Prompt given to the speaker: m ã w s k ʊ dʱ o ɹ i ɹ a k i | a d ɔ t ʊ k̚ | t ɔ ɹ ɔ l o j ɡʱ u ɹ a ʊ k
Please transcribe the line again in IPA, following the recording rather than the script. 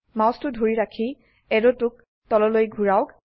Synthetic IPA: m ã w s t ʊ dʱ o ɹ i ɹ a kʰ i | ɛ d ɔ t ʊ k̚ | t ɔ l ɔ l o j ɡʱ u ɹ a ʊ k